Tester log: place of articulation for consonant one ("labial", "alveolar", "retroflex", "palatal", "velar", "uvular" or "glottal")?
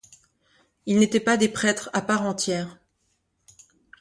alveolar